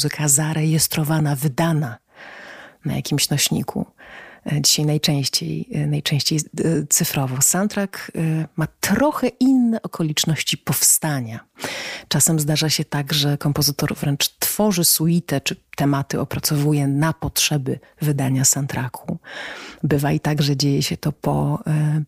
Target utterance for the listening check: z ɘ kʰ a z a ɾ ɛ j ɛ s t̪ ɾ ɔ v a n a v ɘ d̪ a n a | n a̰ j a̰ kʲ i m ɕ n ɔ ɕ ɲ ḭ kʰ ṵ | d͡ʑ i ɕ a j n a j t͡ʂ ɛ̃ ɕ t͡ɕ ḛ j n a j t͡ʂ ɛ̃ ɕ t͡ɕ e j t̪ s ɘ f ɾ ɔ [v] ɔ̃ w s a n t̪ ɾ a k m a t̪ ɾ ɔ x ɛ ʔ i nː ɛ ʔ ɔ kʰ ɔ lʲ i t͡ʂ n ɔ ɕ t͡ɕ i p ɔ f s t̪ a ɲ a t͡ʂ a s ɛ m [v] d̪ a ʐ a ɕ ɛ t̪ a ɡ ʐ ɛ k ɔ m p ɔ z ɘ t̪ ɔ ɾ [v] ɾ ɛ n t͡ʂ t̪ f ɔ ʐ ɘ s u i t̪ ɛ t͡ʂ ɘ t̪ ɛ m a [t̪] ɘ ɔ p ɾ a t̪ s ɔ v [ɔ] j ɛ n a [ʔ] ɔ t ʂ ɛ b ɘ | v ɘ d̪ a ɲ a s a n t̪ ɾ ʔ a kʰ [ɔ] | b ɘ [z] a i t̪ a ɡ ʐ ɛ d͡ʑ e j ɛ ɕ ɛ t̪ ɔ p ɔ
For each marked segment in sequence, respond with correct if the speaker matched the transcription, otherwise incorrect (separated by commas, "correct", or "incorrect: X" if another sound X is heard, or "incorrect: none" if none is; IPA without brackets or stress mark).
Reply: correct, incorrect: z, correct, correct, incorrect: u, incorrect: p, incorrect: u, incorrect: v